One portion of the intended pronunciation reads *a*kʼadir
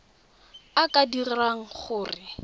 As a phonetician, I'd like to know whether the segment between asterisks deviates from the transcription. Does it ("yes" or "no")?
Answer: no